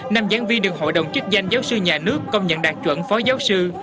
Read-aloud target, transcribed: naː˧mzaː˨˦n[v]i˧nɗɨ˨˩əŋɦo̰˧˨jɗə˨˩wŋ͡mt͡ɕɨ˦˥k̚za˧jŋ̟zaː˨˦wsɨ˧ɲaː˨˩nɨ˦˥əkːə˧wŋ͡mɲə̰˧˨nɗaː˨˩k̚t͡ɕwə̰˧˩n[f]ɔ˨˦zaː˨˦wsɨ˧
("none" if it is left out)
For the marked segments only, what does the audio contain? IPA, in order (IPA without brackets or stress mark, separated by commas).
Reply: v, f